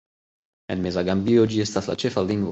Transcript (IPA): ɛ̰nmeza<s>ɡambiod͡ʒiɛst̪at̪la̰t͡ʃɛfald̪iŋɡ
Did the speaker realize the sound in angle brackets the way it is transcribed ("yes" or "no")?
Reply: no